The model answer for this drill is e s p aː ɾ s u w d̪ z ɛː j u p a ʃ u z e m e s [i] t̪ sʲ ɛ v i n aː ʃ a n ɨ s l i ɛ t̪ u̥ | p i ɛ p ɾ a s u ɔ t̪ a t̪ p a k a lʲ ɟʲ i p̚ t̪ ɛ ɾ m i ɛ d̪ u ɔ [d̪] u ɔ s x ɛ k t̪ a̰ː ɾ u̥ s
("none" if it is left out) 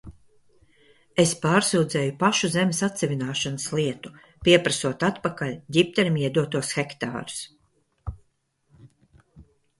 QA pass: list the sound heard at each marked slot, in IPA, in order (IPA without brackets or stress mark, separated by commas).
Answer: a, t̪